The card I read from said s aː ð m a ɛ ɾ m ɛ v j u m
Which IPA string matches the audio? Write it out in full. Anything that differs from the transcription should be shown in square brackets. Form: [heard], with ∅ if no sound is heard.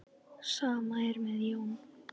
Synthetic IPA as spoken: s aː [∅] m a ɛ ɾ m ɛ [ð] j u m